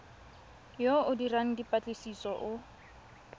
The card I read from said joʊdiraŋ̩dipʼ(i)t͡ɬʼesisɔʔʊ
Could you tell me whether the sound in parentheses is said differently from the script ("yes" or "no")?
yes